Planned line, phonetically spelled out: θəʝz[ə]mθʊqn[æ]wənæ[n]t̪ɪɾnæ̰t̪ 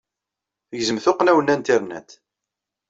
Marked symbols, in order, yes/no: yes, yes, yes

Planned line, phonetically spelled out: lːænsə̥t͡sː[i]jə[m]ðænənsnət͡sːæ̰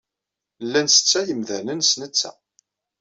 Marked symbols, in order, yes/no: no, yes

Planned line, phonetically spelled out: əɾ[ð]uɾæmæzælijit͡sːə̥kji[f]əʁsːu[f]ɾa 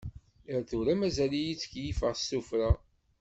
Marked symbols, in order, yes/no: no, yes, yes

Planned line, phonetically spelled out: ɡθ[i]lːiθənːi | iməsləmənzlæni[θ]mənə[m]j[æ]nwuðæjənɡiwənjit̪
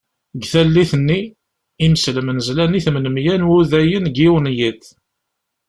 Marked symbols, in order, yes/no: no, yes, yes, yes

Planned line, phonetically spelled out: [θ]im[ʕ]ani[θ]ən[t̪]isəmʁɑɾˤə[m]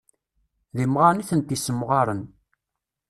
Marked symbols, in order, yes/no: no, no, yes, yes, no

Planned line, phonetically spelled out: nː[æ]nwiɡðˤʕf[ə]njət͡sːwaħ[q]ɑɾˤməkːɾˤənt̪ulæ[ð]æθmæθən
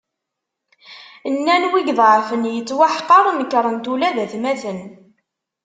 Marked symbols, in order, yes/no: yes, yes, yes, yes

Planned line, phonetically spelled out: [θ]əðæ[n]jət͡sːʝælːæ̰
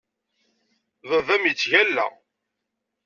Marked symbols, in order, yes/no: no, no

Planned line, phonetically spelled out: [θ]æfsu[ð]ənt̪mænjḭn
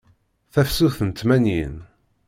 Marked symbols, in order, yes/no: yes, no

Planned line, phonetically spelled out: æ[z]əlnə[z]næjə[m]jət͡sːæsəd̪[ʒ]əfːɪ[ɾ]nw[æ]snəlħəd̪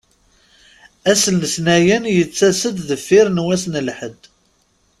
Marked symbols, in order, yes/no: no, no, no, no, yes, yes

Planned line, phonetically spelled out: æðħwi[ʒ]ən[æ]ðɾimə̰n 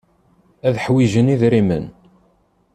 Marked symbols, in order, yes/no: yes, no

